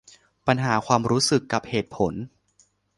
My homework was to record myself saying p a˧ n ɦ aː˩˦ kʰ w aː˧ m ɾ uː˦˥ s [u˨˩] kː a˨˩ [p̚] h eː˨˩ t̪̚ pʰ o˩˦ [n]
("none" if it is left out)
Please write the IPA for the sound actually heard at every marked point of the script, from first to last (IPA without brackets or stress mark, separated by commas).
ɯ˨˩, p̚, n